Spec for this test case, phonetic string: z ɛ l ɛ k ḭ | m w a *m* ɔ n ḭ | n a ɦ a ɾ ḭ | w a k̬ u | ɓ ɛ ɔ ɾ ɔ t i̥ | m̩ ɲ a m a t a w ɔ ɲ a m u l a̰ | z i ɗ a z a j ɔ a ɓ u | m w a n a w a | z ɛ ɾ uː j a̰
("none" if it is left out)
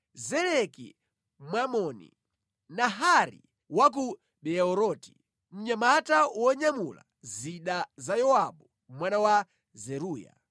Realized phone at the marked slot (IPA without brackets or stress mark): m